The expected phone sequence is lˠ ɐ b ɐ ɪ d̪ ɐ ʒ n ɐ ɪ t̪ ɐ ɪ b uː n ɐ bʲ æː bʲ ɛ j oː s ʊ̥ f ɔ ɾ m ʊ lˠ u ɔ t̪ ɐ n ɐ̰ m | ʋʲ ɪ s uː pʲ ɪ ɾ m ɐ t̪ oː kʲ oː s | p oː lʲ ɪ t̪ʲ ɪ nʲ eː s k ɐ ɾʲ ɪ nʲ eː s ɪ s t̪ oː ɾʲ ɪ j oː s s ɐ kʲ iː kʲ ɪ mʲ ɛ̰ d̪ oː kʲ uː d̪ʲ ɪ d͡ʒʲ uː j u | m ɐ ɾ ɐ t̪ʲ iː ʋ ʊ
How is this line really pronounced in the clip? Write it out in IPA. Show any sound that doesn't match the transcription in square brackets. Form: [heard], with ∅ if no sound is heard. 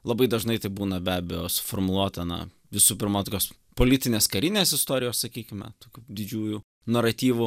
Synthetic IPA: lˠ ɐ b ɐ ɪ d̪ ɐ ʒ n ɐ ɪ t̪ ɐ ɪ b uː n ɐ bʲ æː bʲ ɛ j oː s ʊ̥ f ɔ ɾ m ʊ lˠ u ɔ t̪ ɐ n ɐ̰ [∅] | ʋʲ ɪ s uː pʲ ɪ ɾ m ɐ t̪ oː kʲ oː s | p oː lʲ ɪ t̪ʲ ɪ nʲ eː s k ɐ ɾʲ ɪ nʲ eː s ɪ s t̪ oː ɾʲ ɪ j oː s s ɐ kʲ iː kʲ ɪ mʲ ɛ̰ [t̪] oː kʲ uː d̪ʲ ɪ d͡ʒʲ uː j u | [n] ɐ ɾ ɐ t̪ʲ iː ʋ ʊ